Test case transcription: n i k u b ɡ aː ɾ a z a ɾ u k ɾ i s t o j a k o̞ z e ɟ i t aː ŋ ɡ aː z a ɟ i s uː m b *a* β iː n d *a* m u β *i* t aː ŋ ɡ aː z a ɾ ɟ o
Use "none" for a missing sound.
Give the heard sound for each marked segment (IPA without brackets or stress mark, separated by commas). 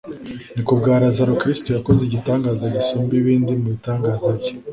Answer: i, i, i